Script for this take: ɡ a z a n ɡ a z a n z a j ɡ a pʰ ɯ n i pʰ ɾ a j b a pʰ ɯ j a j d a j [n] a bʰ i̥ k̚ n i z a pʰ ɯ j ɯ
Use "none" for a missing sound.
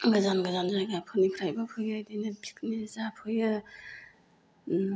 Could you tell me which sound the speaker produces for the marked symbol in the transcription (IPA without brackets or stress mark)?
n